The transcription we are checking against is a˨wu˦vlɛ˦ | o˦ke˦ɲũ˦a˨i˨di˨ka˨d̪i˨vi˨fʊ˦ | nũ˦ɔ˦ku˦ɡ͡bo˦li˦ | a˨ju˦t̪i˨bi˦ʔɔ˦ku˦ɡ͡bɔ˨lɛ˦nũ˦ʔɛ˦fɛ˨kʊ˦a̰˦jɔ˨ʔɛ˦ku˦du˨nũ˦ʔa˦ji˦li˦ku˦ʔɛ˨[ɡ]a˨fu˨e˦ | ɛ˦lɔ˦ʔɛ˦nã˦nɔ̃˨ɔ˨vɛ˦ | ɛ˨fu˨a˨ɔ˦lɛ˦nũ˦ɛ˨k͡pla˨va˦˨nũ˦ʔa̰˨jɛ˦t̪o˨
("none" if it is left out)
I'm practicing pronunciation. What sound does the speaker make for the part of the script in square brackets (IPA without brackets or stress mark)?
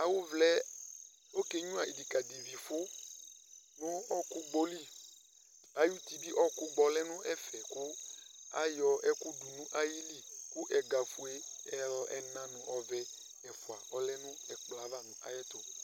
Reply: ɡ